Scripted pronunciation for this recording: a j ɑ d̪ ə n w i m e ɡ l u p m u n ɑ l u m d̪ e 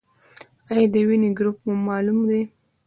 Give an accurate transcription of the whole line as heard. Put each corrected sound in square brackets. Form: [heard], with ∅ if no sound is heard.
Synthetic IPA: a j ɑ d̪ ə [∅] w i [n] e ɡ [ɾ] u p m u [m] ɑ l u m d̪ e

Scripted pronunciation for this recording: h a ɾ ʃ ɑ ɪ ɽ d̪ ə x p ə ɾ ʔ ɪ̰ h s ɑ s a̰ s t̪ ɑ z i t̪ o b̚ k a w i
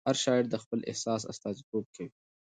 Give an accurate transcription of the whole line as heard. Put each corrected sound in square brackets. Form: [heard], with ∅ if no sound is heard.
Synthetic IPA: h a ɾ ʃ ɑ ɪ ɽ d̪ ə x p ə [l] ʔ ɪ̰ h s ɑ s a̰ s t̪ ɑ z i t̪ o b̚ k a w i

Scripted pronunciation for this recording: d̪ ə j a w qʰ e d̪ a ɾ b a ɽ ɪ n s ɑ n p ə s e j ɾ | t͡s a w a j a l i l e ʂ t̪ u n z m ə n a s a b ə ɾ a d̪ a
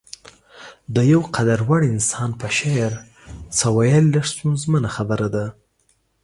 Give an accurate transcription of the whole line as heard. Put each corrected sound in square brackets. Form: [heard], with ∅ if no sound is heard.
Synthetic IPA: d̪ ə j a w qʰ [a] d̪ a ɾ [w] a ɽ ɪ n s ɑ n p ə [ʃ] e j ɾ | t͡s a w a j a l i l [a] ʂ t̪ u n z m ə n a [x] a b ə ɾ a d̪ a

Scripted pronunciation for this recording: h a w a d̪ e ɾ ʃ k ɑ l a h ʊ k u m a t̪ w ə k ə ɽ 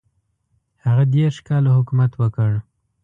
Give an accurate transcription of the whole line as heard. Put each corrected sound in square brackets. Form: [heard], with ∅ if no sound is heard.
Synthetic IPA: h a [ɣ] a d̪ e ɾ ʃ k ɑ l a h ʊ k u m a t̪ w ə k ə ɽ

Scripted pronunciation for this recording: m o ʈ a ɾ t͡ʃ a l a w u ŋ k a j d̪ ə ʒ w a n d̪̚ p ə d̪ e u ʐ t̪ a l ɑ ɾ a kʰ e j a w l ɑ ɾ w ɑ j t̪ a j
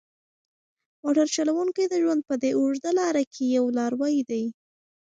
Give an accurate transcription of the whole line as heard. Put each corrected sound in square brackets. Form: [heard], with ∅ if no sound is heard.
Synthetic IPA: m o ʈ a ɾ t͡ʃ a l a w u ŋ k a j d̪ ə ʒ w a n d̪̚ p ə d̪ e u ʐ [d̪] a l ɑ ɾ a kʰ e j a w l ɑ ɾ w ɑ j [d̪] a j

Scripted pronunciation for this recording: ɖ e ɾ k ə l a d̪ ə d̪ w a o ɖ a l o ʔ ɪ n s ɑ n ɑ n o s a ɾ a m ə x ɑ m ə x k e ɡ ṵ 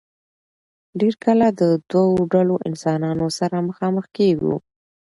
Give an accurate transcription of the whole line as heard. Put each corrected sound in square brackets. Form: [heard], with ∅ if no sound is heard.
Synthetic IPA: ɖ e ɾ k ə l a d̪ ə d̪ w a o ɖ a l o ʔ ɪ n s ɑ n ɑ n o s a ɾ a m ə x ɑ m ə x k e ɡ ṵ

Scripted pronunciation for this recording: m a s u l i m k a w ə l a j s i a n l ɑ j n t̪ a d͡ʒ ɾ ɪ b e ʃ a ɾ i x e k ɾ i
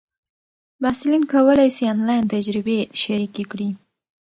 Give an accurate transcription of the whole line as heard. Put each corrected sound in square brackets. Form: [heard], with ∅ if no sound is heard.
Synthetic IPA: m a s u l i [n] k a w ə l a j s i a n l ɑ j n t̪ a d͡ʒ ɾ ɪ b e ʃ a ɾ i [k] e k [ɽ] i

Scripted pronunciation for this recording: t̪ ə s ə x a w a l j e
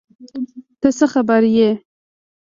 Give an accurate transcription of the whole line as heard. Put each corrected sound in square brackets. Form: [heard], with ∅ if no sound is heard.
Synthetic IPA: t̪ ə s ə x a [b] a [ɾ] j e

